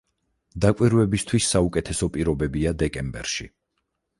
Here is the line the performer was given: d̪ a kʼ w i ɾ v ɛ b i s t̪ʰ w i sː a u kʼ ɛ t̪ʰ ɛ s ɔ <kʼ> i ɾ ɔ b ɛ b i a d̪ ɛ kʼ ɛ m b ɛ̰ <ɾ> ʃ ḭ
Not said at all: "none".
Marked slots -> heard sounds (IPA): pʼ, ɾ

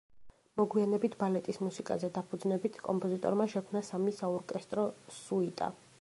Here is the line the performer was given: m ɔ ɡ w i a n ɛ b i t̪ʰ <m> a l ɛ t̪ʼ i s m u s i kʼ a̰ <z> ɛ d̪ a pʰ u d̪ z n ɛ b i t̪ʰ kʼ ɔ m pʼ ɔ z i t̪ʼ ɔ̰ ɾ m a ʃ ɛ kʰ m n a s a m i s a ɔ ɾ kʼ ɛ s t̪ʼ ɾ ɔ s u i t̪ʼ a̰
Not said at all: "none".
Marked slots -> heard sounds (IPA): b, z

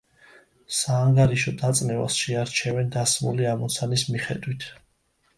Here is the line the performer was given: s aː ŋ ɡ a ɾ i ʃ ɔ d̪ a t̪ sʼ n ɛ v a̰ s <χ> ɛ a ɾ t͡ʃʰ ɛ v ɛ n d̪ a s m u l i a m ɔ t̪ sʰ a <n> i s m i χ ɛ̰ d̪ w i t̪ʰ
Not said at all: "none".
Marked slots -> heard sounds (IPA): ʃ, n

